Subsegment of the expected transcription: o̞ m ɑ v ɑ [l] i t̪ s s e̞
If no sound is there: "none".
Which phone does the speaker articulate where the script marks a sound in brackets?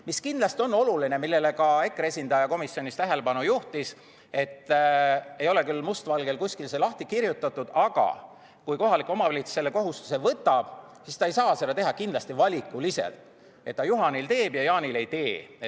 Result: l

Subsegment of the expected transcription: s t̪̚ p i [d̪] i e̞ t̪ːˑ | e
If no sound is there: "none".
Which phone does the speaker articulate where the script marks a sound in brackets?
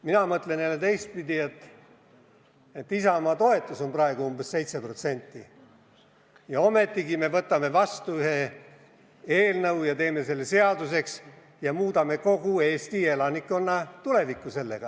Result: d̪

